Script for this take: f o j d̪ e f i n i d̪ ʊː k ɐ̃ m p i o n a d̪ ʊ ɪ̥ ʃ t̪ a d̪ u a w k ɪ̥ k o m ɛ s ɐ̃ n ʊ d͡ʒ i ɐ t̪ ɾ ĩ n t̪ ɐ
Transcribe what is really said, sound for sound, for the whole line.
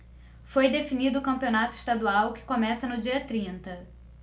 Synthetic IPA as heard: f o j d̪ e f i n i d̪ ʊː k ɐ̃ m p i o n a t̪ ʊ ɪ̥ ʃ t̪ a d̪ u a w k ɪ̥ k o m ɛ s ɐ n ʊ d͡ʒ i ɐ t̪ ɾ ĩ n t̪ ɐ

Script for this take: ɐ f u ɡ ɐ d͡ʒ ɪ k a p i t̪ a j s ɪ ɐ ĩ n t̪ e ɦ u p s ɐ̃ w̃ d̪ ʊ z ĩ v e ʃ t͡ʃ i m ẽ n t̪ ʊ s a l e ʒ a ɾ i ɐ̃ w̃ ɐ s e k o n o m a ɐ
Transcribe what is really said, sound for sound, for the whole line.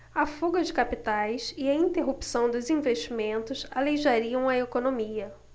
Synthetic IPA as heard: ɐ f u ɡ ɐ d͡ʒ ɪ k a p i t̪ a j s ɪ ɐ ĩ n t̪ e ɦ u p s ɐ̃ w̃ d̪ ʊ z ĩ v e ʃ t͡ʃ i m ẽ n t̪ ʊ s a l e ʒ a ɾ i ɐ̃ w̃ ɐ e k o n o m i ɐ

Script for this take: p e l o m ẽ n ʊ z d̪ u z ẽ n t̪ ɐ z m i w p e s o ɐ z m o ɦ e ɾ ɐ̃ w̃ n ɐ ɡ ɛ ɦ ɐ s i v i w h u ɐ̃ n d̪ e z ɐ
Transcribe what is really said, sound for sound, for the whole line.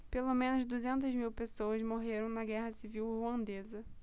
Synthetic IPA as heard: p e l o m ẽ n ʊ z d̪ u z ẽ n t̪ ɐ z m i w p e s o ɐ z m o ɦ e ɾ ɐ̃ w̃ n ɐ ɡ ɛ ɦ ɐ s i v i w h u ɐ̃ n d̪ e z ɐ

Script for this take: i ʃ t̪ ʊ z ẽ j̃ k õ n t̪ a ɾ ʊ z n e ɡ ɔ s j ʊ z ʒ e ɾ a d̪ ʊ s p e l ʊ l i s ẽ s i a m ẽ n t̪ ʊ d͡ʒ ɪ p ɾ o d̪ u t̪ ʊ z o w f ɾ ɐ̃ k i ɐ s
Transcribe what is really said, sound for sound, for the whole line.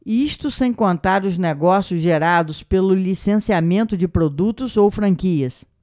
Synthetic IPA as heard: i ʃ t̪ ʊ s ẽ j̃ k õ n t̪ a ɾ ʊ z n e ɡ ɔ s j ʊ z ʒ e ɾ a d̪ ʊ s p e l ʊ l i s ẽ s i a m ẽ n t̪ ʊ d͡ʒ ɪ p ɾ o d̪ u t̪ ʊ z o w f ɾ ɐ̃ k i ɐ s

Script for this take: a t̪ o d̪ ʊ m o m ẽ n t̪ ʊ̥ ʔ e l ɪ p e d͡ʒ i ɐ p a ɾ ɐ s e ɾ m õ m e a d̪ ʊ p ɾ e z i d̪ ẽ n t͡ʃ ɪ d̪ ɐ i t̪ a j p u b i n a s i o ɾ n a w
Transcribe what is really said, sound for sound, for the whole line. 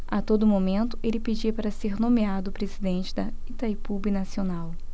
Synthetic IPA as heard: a t̪ o d̪ ʊ m o m ẽ n t̪ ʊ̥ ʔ e l ɪ p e d͡ʒ i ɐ p a ɾ ɐ s e ɾ n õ m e a d̪ ʊ p ɾ e z i d̪ ẽ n t͡ʃ ɪ d̪ ɐ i t̪ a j p u b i n a s i o n a w

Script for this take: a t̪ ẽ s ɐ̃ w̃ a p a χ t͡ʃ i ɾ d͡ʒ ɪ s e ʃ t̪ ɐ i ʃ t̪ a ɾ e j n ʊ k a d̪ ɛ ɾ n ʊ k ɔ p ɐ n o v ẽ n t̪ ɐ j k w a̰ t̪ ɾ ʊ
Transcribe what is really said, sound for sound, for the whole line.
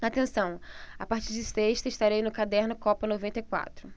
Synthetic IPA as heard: a t̪ ẽ s ɐ̃ w̃ a p a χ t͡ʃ i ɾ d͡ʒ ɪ s e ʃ t̪ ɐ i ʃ t̪ a ɾ e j n ʊ k a d̪ ɛ ɾ n ʊ k ɔ p ɐ n o v ẽ n t̪ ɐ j k w a̰ t̪ ɾ ʊ

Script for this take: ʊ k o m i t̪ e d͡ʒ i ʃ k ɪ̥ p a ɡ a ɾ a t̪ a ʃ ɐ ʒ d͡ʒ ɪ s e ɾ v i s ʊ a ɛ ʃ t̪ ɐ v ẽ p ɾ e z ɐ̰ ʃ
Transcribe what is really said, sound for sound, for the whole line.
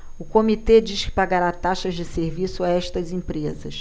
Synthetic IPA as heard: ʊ k o m i t̪ e d͡ʒ i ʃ k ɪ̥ p a ɡ a ɾ a t̪ a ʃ ɐ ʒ d͡ʒ ɪ s e ɾ v i s ʊ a ɛ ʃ t̪ ɐ z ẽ p ɾ e z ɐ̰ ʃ

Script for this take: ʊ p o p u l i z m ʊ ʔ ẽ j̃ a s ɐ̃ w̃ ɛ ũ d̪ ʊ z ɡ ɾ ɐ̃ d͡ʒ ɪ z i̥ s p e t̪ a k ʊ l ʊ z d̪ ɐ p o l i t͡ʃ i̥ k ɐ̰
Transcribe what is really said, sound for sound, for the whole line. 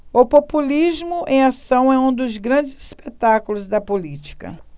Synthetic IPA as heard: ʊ p o p u l i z m ʊ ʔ ẽ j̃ a s ɐ̃ w̃ ɛ ũ d̪ ʊ z ɡ ɾ ɐ̃ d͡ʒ ɪ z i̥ s p e t̪ a k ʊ l ʊ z d̪ ɐ p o l i t͡ʃ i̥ k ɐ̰

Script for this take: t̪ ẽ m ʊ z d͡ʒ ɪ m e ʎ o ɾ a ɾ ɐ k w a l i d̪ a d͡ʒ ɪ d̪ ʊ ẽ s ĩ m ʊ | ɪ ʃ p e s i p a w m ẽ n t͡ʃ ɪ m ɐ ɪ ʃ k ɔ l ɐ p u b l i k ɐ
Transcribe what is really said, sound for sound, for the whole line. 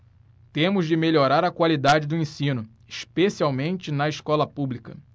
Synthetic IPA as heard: t̪ ẽ m ʊ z d͡ʒ ɪ m e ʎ o ɾ a ɾ ɐ k w a l i d̪ a d͡ʒ ɪ d̪ ʊ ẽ s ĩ n ʊ | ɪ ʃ p e s i a w m ẽ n t͡ʃ ɪ n ɐ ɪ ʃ k ɔ l ɐ p u b l i k ɐ

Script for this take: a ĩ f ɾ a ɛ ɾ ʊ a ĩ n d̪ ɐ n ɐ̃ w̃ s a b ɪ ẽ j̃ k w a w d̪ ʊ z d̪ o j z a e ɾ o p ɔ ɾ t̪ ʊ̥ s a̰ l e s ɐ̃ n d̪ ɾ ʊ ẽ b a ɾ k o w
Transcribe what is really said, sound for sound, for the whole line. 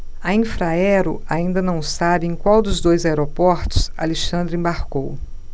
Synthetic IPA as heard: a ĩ f ɾ a ɛ ɾ ʊ a ĩ n d̪ ɐ n ɐ̃ w̃ s a b ɪ ẽ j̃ k w a w d̪ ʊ z d̪ o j z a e ɾ o p ɔ ɾ t̪ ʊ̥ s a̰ l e ʃ ɐ̃ n d̪ ɾ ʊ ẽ b a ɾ k o w

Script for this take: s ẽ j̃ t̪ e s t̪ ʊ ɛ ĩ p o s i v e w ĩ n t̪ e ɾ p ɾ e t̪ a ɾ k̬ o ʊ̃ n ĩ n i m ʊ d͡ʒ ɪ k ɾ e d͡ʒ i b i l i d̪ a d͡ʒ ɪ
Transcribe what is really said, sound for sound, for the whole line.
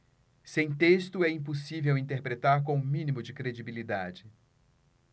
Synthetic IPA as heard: s ẽ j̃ t̪ e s t̪ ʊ ɛ ĩ p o s i v e w ĩ n t̪ e ɾ p ɾ e t̪ a ɾ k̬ õ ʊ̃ m ĩ n i m ʊ d͡ʒ ɪ k ɾ e d͡ʒ i b i l i d̪ a d͡ʒ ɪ

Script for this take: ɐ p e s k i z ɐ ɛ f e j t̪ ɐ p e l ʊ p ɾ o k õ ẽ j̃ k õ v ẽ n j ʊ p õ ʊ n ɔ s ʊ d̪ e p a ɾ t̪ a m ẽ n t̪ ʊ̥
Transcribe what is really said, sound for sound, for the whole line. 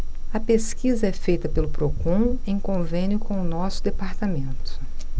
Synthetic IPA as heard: ɐ p e s k i z ɐ ɛ f e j t̪ ɐ p e l ʊ p ɾ o k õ ẽ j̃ k õ v ẽ n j ʊ k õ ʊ n ɔ s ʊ d̪ e p a ɾ t̪ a m ẽ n t̪ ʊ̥

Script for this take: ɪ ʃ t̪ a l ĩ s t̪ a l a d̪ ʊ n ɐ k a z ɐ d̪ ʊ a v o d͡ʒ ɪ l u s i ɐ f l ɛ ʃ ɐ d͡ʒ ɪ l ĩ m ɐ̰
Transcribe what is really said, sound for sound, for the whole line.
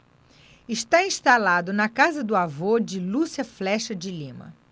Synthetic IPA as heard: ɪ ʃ t̪ a ĩ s t̪ a l a d̪ ʊ n ɐ k a z ɐ d̪ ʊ a v o d͡ʒ ɪ l u s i ɐ f l ɛ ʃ ɐ d͡ʒ ɪ l ĩ m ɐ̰

